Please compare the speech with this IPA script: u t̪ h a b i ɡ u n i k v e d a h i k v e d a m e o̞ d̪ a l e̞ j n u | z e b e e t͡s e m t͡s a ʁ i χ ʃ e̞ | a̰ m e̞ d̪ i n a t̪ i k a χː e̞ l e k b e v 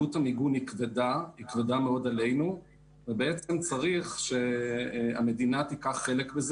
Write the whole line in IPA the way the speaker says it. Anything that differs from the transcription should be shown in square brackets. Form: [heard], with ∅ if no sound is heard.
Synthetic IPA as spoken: u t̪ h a [m] i ɡ u n i k v e d a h i k v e d a m e o̞ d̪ a l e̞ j n u | [v] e b e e t͡s e m t͡s a ʁ i χ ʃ e̞ | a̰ m e̞ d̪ i n a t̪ i k a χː e̞ l e k b e [z]